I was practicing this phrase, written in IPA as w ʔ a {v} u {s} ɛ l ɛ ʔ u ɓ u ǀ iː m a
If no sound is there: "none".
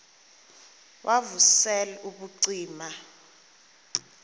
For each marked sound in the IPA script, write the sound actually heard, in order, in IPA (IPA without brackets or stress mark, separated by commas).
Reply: v, s